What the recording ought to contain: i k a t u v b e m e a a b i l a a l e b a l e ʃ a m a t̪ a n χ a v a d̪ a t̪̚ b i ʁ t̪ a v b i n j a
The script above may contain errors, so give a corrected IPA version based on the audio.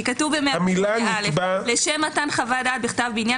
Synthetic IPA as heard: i k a t u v b e m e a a m i l a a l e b a l e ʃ e m a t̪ a n χ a v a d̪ a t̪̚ b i χ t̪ a v b i n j a